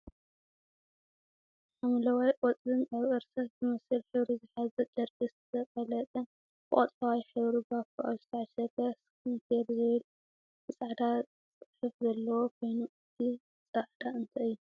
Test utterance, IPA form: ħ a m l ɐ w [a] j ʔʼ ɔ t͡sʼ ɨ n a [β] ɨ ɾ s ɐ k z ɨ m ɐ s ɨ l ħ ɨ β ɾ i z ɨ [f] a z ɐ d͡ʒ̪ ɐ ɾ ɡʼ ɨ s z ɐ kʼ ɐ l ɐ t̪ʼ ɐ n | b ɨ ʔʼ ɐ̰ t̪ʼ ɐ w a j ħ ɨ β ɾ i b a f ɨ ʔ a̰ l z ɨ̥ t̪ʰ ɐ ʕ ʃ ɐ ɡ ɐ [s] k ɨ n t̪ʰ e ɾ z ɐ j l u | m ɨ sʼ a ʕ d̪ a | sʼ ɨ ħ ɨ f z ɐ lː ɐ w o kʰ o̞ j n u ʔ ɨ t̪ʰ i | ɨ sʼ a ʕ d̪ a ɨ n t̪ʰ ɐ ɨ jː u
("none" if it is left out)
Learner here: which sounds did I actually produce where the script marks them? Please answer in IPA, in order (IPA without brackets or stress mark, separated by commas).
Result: a, β, ħ, s